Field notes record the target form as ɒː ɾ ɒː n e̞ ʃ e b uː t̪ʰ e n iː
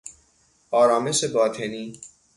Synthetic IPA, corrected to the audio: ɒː ɾ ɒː m e̞ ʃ e b ɒː t̪ʰ e n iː